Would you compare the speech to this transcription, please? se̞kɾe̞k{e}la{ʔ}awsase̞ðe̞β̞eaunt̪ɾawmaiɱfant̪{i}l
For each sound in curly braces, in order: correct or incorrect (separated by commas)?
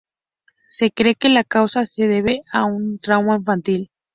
correct, incorrect, correct